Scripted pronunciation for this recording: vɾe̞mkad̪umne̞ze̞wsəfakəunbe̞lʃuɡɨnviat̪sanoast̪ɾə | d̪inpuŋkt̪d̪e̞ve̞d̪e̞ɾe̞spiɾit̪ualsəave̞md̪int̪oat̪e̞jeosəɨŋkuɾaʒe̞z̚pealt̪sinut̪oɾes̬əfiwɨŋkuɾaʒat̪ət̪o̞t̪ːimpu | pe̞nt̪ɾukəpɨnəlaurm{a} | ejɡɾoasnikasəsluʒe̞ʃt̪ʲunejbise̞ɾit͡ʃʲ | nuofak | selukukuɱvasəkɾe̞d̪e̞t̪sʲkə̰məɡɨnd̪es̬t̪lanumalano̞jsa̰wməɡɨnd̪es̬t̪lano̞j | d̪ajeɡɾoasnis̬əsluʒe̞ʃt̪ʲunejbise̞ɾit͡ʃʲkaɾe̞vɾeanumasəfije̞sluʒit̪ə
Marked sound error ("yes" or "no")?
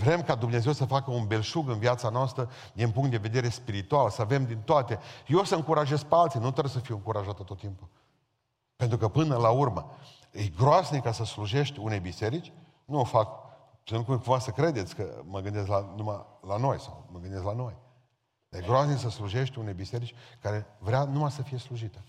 yes